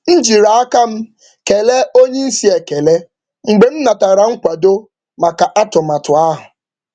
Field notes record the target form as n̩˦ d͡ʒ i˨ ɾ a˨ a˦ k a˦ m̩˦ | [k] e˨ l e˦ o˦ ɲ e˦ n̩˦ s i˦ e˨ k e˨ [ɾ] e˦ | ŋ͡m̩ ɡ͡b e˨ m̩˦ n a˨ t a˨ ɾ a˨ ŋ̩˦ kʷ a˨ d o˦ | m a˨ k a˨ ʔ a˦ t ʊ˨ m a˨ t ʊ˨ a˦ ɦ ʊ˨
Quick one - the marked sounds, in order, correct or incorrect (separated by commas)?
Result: correct, incorrect